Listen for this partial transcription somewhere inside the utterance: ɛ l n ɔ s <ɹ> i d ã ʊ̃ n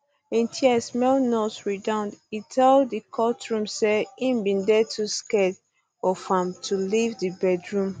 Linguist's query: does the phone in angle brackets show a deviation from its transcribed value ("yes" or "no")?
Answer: no